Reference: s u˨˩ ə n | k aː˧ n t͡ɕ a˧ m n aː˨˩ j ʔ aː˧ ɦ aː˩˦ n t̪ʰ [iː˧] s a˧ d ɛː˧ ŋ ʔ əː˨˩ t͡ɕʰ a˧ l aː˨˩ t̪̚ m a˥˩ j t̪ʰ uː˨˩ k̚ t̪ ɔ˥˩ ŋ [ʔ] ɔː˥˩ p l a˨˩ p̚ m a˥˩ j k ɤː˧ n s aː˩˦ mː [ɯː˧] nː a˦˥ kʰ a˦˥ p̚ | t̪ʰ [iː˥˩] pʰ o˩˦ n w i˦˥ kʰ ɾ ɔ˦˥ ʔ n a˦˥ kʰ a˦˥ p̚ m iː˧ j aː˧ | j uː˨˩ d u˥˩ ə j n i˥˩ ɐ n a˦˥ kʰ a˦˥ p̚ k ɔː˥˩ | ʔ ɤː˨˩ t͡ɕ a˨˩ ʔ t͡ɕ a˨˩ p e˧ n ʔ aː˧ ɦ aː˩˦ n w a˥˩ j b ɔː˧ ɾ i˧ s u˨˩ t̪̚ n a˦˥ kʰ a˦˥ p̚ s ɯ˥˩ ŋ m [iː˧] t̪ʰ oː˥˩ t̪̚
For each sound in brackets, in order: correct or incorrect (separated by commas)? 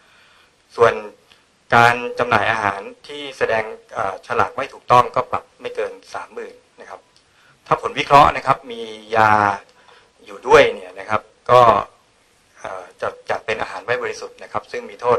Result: incorrect, incorrect, incorrect, incorrect, correct